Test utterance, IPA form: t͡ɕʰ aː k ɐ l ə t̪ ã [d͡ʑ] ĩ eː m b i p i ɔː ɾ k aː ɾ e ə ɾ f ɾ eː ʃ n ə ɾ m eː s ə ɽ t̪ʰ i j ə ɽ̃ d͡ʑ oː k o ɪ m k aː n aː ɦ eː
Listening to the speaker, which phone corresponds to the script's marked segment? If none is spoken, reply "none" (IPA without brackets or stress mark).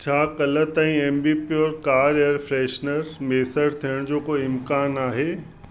none